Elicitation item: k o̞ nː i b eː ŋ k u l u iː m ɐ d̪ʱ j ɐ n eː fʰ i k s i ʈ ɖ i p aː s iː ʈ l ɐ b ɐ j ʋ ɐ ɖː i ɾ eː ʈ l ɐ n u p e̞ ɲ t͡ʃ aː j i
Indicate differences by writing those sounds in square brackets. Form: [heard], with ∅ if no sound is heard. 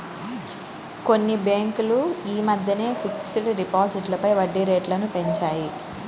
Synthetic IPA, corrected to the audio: k o̞ nː i b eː ŋ k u l u iː m ɐ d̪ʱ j ɐ n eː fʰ i k s i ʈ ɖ i p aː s [i] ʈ l ɐ [p] ɐ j ʋ ɐ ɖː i ɾ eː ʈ l ɐ n u p e̞ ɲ t͡ʃ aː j i